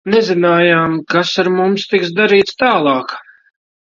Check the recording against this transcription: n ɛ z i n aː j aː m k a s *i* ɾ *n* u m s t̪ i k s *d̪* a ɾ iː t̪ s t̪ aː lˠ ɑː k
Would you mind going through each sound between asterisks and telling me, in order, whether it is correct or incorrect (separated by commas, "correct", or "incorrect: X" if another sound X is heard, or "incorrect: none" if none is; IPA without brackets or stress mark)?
incorrect: a, incorrect: m, correct